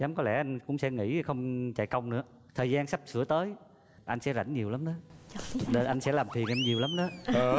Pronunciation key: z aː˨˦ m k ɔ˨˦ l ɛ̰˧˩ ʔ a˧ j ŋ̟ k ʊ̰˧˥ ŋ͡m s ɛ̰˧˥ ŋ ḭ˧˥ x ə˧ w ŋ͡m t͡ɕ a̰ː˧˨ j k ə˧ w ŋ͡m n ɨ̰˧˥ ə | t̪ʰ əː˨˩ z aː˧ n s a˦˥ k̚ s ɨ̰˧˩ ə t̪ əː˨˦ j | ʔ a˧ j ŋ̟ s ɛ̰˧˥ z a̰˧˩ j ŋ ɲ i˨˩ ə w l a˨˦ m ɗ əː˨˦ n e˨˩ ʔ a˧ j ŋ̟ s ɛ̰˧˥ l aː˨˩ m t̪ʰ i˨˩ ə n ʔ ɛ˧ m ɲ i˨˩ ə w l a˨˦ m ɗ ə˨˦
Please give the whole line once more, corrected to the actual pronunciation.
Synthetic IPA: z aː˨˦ m k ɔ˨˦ l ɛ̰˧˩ ʔ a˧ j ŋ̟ k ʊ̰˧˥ ŋ͡m s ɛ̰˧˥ ŋ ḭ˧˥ x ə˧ w ŋ͡m t͡ɕ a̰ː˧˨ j k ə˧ w ŋ͡m n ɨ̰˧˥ ə | t̪ʰ əː˨˩ z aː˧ n s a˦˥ p̚ s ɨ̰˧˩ ə t̪ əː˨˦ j | ʔ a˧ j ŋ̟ s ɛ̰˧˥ z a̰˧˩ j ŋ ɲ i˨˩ ə w l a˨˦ m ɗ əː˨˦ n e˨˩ ʔ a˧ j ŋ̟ s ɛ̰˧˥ l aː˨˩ m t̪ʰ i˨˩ ə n ʔ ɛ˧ m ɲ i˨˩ ə w l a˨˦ m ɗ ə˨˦